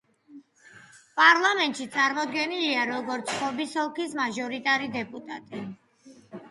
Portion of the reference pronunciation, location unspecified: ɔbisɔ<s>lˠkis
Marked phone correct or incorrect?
incorrect